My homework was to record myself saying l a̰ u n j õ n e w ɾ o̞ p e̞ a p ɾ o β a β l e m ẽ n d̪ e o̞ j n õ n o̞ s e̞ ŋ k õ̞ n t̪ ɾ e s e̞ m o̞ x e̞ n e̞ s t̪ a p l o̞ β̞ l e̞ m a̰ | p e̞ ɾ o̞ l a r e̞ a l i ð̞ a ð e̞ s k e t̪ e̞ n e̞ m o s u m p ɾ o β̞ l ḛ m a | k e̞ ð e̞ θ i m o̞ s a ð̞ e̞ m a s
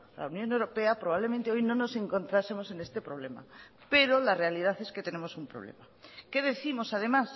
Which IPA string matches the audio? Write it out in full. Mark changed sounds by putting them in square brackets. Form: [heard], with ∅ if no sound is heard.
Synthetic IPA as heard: l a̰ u n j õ n e w ɾ o̞ p e̞ a p ɾ o β a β l e m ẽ n [t̪] e o̞ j n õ n o̞ s e̞ ŋ k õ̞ n t̪ ɾ [a] s e̞ m o̞ [s] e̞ n e̞ s t̪ [e] p [ɾ] o̞ β̞ l e̞ m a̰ | p e̞ ɾ o̞ l a r e̞ a l i ð̞ a [θ] e̞ s k e t̪ e̞ n e̞ m o s u m p ɾ o β̞ l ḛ m a | k e̞ ð e̞ θ i m o̞ s a ð̞ e̞ m a s